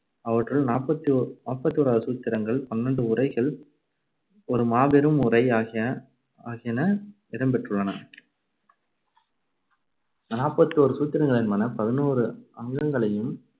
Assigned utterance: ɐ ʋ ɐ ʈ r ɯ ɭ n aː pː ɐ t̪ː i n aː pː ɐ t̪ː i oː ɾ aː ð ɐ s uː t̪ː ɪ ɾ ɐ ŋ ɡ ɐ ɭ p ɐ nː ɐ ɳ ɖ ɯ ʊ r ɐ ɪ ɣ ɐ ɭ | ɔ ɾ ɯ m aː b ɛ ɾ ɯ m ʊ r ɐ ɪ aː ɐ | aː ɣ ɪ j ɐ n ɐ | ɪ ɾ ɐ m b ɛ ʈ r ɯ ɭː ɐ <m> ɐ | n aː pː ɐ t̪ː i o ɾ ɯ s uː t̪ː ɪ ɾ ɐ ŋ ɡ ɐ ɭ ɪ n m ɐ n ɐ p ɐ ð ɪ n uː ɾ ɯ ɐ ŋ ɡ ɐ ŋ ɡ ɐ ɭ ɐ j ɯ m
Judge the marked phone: incorrect: n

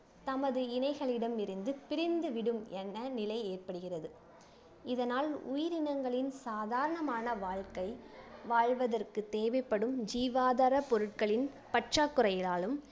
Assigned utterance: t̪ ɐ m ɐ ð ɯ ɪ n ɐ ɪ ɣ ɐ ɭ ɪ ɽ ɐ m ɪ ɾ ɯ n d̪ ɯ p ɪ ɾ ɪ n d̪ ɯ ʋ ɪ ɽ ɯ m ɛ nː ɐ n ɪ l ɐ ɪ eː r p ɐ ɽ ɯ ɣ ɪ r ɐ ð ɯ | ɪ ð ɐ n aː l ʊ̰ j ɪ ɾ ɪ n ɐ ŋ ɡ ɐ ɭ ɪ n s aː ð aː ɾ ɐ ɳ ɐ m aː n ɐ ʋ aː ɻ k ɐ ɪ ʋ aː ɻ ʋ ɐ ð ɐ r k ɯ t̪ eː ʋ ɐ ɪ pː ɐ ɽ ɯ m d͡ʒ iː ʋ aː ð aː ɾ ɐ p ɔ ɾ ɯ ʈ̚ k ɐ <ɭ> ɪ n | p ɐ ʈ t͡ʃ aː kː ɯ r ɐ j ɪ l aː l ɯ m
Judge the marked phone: correct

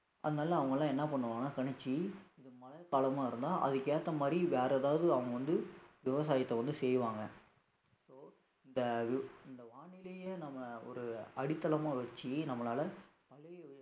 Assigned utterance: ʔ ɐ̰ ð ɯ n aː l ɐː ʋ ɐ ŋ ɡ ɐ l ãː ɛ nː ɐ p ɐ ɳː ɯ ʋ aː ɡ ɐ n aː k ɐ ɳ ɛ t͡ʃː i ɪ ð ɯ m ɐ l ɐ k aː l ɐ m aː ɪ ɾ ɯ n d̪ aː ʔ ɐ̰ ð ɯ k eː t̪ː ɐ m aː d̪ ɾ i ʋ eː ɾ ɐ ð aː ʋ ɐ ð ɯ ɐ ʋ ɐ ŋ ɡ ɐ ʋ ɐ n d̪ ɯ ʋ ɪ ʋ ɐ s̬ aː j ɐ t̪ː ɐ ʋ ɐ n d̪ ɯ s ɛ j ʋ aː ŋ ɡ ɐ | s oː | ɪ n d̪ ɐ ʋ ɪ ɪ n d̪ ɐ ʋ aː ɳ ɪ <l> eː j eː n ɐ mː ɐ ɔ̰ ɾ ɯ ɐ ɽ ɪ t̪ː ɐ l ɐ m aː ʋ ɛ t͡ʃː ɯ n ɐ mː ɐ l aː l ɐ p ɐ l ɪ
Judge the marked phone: correct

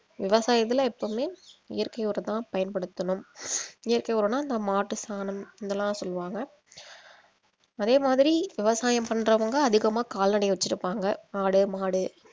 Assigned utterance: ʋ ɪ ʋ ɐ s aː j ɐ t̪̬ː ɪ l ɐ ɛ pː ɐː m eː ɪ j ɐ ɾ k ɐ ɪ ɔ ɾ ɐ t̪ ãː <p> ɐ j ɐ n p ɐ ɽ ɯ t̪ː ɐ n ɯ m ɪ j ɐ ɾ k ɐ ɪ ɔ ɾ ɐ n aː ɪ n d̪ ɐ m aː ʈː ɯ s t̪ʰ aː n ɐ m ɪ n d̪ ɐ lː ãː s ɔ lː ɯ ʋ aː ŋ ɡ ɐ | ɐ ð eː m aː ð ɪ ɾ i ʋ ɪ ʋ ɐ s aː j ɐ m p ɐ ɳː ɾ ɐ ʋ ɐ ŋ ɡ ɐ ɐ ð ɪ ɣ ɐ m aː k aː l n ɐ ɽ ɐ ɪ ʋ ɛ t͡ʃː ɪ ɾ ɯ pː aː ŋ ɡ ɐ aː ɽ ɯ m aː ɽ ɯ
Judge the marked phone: correct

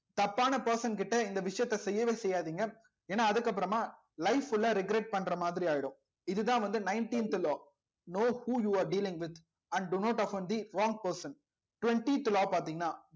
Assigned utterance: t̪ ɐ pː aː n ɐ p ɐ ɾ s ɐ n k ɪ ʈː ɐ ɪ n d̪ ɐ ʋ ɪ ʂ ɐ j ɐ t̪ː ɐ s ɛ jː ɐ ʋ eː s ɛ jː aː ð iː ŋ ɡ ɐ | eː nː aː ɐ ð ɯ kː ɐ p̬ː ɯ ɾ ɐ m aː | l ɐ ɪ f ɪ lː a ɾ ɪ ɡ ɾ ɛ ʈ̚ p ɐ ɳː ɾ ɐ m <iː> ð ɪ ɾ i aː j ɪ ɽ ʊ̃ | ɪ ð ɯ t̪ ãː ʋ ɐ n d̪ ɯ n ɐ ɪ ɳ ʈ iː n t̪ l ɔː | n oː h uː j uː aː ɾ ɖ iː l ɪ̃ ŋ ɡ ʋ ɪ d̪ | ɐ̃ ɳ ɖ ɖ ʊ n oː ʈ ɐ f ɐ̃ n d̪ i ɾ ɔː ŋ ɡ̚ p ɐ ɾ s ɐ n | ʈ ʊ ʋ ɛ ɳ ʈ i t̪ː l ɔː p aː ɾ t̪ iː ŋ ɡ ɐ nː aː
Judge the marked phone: incorrect: aː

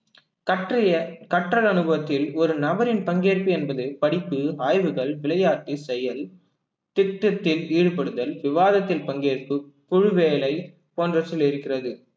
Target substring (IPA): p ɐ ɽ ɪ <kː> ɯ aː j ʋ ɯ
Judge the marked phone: incorrect: pː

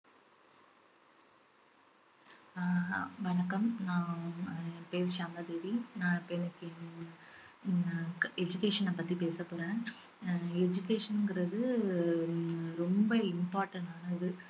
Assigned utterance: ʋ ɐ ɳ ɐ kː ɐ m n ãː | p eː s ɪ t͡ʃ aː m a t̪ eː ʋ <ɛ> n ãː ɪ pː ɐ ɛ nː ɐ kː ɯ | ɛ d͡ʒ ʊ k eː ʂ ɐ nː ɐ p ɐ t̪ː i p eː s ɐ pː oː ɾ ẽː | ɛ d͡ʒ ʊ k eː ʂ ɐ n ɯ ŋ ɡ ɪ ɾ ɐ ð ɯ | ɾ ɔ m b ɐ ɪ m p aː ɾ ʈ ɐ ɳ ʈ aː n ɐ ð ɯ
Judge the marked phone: incorrect: i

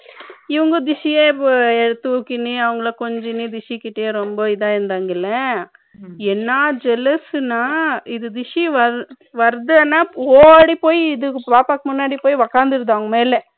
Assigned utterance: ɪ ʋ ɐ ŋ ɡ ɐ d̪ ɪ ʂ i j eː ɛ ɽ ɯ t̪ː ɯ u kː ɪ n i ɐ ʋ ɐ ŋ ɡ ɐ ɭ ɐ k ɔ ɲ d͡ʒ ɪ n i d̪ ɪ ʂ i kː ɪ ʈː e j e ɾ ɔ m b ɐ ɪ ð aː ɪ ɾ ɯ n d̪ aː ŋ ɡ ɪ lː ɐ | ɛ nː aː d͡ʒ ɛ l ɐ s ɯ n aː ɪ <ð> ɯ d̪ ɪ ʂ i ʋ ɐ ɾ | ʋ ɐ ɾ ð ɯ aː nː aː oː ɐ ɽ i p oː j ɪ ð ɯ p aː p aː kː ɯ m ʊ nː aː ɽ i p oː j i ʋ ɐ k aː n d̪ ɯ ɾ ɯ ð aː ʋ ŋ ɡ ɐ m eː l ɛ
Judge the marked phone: correct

